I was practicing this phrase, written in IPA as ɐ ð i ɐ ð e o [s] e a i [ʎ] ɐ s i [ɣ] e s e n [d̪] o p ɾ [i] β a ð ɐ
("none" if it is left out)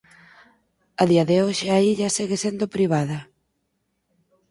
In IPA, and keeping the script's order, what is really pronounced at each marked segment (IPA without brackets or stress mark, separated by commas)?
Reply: ʃ, ʎ, ɣ, d̪, i